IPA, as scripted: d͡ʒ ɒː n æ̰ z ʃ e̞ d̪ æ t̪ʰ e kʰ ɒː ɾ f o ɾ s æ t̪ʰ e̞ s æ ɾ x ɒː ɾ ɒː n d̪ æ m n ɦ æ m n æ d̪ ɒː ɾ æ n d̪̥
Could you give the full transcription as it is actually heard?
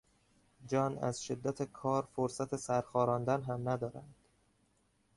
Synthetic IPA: d͡ʒ ɒː n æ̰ z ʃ e̞ d̪ː æ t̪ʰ e kʰ ɒː ɾ f o ɾ s æ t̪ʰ e̞ s æ ɾ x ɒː ɾ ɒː n d̪ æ n ɦ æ m n æ d̪ ɒː ɾ æ n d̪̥